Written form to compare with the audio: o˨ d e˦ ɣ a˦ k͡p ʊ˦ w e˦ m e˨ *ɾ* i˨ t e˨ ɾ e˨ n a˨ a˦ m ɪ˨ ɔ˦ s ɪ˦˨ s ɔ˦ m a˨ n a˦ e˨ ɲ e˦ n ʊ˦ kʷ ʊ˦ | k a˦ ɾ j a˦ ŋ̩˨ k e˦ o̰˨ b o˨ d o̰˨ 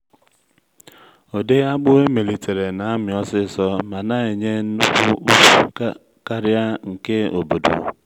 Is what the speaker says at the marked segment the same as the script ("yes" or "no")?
no